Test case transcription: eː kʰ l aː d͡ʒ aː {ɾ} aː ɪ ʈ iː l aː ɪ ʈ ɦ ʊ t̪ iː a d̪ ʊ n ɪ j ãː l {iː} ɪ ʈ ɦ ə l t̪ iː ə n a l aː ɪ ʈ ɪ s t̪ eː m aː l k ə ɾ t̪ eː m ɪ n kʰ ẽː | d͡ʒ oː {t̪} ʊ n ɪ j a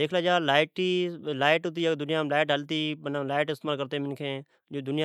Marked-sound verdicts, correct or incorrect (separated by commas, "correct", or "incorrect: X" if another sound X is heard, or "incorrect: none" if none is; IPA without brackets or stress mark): incorrect: l, incorrect: aː, incorrect: d̪